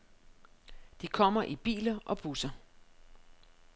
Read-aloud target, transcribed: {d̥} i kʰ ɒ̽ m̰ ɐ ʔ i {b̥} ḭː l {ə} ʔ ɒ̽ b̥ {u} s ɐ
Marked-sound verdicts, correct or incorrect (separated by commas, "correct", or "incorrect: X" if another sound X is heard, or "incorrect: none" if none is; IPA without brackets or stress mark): correct, correct, incorrect: ɐ, correct